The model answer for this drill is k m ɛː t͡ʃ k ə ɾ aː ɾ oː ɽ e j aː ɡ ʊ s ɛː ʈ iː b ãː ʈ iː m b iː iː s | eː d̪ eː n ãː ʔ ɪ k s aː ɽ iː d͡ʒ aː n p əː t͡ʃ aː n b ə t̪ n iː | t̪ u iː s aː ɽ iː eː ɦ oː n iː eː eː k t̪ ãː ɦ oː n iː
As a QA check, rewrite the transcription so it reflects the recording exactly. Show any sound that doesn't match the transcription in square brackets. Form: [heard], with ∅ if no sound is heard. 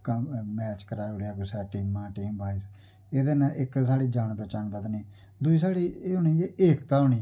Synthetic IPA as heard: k m ɛː t͡ʃ k ə ɾ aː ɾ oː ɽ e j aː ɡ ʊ s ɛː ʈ iː [m] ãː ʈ iː m b [aː] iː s | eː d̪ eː n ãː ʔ ɪ k s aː ɽ iː d͡ʒ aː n p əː t͡ʃ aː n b ə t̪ n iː | [d̪] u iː s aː ɽ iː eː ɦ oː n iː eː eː k t̪ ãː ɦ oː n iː